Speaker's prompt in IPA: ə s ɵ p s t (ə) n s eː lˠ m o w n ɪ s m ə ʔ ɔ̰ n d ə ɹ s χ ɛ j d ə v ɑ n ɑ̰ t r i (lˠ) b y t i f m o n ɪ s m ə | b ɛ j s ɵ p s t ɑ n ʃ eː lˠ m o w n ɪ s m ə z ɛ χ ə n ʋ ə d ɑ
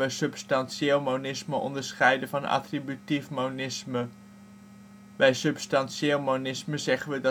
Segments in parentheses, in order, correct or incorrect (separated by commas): incorrect, incorrect